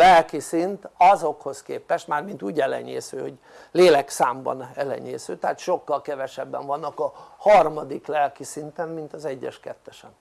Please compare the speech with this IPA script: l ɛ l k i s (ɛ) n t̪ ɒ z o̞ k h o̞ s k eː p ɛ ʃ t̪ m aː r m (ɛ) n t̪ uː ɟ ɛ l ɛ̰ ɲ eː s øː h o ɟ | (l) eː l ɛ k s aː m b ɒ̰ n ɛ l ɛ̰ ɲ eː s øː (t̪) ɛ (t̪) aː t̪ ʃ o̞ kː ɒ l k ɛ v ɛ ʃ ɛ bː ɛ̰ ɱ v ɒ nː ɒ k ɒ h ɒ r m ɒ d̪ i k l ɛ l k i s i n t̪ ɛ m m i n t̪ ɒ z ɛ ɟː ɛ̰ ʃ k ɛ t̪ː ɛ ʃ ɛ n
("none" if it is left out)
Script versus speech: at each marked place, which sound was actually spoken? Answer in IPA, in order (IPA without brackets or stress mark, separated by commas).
i, i, l, t̪, none